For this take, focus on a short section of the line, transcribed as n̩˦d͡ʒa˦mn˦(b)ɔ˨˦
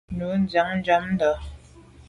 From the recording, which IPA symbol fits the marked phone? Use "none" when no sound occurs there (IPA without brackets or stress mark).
d